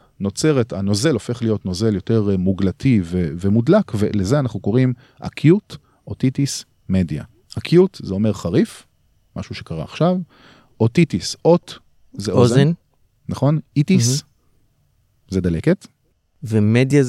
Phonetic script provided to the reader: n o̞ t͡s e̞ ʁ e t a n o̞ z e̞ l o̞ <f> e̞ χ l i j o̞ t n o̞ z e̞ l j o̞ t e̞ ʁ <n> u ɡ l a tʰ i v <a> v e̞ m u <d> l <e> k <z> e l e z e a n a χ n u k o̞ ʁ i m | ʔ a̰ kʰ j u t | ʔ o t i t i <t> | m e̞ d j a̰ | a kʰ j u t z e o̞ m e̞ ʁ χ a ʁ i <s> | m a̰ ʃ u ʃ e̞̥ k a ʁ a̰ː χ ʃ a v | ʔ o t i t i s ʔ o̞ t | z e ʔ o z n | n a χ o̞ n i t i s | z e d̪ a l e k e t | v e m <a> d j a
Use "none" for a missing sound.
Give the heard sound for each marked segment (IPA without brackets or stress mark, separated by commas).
f, m, e, d, a, v, s, f, e